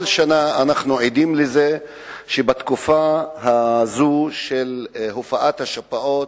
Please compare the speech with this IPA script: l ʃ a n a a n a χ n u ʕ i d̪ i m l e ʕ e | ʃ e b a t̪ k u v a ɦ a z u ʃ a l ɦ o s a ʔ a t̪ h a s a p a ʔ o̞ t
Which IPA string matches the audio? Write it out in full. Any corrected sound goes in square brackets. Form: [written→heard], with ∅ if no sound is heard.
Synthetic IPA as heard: l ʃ a n a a n a χ n u ʕ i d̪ i m l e [ʕ→z] e | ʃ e b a t̪ k u [v→f] a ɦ a z u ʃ [a→e] l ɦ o [s→f] a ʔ a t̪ h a [s→ʃ] a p a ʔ o̞ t